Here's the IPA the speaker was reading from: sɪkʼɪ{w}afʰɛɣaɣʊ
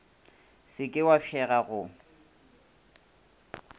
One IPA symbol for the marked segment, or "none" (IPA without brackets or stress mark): w